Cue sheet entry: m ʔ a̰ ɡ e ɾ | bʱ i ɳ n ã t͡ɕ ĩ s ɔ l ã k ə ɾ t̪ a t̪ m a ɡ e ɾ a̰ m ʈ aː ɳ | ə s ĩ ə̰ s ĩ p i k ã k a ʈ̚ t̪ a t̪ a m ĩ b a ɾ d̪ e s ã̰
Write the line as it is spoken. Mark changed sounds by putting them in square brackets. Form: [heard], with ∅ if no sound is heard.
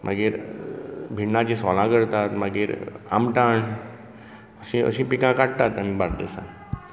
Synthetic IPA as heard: m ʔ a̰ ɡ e ɾ | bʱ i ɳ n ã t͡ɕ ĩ s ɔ l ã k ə ɾ t̪ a t̪ m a ɡ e ɾ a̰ m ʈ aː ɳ | ə s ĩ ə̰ s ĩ p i k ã k a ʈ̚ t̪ a t̪ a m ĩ b a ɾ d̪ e s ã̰